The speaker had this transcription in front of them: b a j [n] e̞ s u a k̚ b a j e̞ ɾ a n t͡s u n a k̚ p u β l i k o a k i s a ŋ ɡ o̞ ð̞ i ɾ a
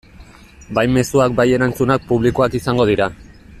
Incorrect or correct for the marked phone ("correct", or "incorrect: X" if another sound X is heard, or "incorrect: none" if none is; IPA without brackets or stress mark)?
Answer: incorrect: m